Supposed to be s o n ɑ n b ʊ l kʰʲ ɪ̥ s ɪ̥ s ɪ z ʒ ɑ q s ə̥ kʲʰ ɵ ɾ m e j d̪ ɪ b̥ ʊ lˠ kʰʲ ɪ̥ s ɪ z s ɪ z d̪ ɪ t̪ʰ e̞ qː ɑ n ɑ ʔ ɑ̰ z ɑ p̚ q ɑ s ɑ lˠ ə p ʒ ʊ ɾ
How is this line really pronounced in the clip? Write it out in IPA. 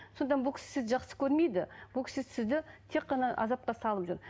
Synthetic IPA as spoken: s o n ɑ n b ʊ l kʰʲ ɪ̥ s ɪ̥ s ɪ z ʒ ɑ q s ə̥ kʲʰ ɵ ɾ m e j d̪ ɪ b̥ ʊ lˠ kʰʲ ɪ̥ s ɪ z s ɪ z d̪ ɪ t̪ʰ e̞ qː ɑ n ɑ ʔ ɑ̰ z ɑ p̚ q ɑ s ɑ lˠ ə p ʒ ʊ ɾ